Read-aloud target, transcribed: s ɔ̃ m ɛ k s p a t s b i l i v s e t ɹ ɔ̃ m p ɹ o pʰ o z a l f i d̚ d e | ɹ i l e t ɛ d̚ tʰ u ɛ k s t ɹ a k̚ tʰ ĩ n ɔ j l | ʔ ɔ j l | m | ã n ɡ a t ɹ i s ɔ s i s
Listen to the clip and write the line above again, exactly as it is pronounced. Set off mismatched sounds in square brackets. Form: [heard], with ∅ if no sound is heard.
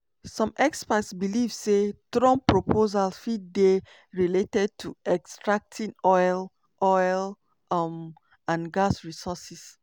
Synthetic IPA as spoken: s ɔ̃ m ɛ k s p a t s b i l i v s e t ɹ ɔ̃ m p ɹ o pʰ o z a l f i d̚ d e | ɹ i l e t ɛ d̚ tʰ u ɛ k s t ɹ a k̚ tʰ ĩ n ɔ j l | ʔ ɔ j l | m | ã n ɡ a [s] ɹ i s ɔ s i s